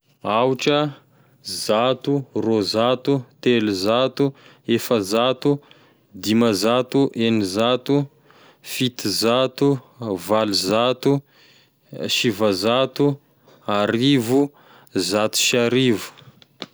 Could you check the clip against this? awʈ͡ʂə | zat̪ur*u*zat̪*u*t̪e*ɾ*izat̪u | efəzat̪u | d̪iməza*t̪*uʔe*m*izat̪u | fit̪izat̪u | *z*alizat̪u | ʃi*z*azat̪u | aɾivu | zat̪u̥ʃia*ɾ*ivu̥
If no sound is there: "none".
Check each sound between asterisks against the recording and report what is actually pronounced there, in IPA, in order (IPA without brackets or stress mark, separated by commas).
o, u, l, t̪, n, v, v, ɾ